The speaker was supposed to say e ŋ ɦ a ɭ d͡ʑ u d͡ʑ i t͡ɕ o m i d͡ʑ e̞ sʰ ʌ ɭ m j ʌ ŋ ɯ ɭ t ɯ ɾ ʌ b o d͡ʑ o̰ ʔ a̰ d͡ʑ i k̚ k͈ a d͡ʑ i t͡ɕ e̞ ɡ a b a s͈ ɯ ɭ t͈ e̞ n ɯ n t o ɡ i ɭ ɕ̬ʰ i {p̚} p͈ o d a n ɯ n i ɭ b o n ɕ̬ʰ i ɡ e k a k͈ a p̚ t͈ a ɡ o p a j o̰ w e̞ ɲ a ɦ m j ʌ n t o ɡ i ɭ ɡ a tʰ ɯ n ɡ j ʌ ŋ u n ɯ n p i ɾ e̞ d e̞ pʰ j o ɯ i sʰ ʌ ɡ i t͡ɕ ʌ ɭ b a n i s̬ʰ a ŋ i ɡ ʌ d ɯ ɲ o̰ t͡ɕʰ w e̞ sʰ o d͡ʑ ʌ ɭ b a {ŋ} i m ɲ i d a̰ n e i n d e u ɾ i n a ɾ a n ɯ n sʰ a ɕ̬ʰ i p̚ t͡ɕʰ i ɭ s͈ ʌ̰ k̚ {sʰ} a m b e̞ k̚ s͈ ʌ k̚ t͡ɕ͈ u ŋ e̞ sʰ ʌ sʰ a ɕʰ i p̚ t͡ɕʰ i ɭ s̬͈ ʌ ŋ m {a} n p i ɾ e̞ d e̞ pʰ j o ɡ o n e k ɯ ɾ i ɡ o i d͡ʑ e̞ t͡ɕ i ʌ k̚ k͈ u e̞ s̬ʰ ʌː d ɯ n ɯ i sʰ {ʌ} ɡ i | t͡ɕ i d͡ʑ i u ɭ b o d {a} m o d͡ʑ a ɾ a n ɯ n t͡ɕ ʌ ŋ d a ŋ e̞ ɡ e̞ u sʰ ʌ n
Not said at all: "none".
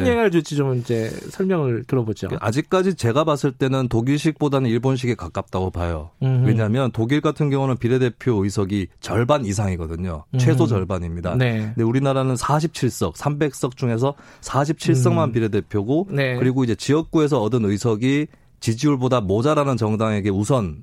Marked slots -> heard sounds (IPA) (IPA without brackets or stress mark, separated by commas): k̚, ɲ, sʰ, a, ʌ, a